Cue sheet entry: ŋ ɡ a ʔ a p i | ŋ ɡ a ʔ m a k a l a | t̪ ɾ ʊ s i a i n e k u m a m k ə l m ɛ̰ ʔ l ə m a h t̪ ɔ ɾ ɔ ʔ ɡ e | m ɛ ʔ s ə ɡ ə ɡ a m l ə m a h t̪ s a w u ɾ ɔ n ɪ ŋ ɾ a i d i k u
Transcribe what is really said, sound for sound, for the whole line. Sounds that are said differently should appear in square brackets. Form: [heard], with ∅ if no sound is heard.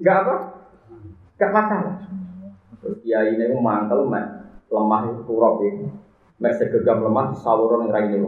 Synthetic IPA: ŋ ɡ a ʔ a p [a] | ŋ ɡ a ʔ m a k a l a | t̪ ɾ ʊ s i a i n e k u m a [ŋ] k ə l m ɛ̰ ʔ l ə m a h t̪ [u] ɾ ɔ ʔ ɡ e | m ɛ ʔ s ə ɡ ə ɡ a m l ə m a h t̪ s a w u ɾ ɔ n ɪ ŋ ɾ a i [n] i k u